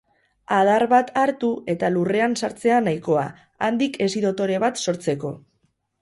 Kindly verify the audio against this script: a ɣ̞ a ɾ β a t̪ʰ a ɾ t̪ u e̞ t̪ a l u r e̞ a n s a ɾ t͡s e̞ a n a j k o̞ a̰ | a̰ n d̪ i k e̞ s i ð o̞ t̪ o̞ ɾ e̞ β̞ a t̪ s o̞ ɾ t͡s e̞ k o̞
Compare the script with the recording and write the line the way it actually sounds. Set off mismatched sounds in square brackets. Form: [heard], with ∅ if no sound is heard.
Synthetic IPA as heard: a [ð̞] a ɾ β a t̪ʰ a ɾ t̪ u e̞ t̪ a l u r e̞ a n s a ɾ t͡s e̞ a n a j k o̞ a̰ | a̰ n d̪ i k e̞ s i ð o̞ t̪ o̞ ɾ e̞ β̞ a t̪ s o̞ ɾ t͡s e̞ k o̞